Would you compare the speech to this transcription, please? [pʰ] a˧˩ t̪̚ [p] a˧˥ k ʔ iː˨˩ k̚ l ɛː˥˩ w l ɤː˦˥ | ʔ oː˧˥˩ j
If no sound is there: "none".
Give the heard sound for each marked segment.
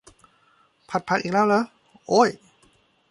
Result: pʰ, pʰ

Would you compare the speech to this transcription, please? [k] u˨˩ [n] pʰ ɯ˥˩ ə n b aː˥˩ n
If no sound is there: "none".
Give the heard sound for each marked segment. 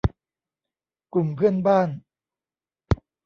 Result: k, m

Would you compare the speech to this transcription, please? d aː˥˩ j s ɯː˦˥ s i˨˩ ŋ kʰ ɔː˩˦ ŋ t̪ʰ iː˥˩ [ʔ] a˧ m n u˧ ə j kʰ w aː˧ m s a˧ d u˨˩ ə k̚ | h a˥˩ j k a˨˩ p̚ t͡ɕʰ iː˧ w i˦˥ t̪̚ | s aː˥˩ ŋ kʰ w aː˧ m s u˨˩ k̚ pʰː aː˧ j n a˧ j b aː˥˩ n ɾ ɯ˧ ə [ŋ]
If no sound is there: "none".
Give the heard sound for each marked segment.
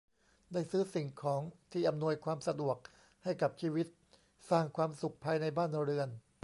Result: ʔ, n

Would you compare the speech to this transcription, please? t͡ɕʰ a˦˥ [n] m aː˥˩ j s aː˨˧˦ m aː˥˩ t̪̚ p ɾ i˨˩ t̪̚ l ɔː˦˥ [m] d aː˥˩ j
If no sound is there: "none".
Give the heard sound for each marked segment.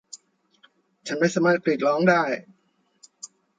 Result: n, ŋ

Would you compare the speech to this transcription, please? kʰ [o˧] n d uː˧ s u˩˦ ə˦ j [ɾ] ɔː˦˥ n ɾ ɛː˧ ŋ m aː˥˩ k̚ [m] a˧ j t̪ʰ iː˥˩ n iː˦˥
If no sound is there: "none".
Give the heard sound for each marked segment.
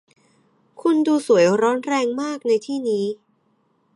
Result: u˧, ɾ, n

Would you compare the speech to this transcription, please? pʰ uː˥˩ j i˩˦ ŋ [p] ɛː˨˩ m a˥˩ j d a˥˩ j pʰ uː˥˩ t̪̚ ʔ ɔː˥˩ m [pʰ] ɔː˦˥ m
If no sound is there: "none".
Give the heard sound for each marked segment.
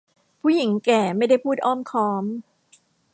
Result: k, kʰ

